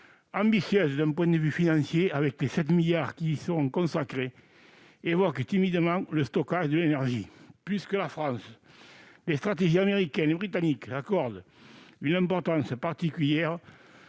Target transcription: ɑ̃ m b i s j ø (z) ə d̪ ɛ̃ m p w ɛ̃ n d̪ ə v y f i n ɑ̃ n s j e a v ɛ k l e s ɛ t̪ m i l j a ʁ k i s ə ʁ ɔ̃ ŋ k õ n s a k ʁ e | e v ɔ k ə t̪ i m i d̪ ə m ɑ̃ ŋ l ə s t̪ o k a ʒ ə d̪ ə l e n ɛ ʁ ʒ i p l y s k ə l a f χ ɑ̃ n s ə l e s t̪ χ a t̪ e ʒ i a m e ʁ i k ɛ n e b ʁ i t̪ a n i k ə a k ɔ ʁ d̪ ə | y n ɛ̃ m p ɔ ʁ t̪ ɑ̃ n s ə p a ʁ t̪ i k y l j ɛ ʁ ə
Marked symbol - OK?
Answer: yes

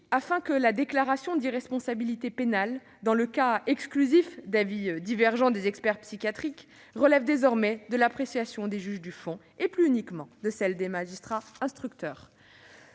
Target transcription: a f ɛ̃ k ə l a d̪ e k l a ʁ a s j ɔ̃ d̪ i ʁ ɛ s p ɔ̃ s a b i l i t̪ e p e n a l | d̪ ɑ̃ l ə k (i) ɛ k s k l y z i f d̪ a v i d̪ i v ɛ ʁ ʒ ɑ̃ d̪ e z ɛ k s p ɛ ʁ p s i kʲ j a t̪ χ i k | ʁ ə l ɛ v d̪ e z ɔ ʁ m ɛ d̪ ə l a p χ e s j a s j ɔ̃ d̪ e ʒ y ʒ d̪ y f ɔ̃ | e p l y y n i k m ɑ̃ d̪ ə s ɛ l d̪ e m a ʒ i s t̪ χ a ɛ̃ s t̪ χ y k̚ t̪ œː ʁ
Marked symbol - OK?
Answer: no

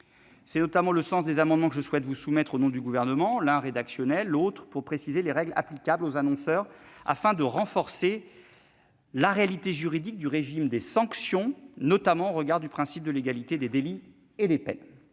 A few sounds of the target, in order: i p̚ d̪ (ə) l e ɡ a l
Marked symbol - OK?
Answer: yes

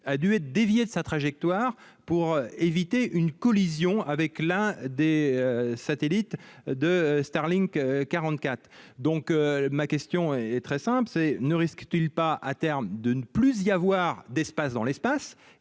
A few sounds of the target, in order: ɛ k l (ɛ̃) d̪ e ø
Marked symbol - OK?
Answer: yes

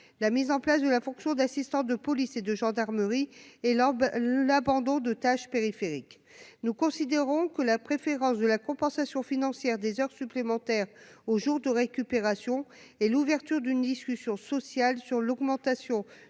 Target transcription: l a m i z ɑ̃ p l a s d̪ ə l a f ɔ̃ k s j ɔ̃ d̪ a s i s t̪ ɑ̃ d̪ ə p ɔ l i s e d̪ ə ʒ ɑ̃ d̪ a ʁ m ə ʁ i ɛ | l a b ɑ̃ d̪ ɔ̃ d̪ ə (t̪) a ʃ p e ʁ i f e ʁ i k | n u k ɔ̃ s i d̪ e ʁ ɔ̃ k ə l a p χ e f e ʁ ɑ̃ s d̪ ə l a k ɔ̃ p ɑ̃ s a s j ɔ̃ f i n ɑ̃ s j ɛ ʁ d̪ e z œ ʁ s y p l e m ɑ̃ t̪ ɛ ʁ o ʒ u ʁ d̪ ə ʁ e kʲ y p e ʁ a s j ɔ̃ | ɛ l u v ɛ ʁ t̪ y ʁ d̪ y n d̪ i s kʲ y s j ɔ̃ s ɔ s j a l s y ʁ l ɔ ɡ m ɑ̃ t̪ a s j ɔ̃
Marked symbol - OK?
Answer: yes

